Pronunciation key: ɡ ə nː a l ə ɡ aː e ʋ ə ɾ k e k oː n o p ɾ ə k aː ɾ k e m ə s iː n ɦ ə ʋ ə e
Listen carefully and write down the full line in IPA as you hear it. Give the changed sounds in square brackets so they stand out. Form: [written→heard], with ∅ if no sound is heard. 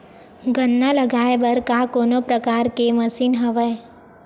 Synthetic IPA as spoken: ɡ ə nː a l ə ɡ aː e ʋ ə ɾ k [e→a] k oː n o p ɾ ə k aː ɾ k e m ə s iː n ɦ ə ʋ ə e